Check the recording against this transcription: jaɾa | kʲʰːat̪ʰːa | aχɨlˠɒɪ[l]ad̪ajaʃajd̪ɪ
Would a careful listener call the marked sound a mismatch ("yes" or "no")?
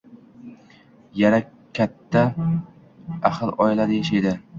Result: no